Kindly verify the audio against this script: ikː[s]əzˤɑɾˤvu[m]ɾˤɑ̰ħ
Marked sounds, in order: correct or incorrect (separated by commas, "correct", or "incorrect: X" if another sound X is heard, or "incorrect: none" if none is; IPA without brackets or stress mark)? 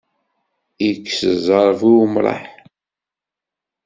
correct, correct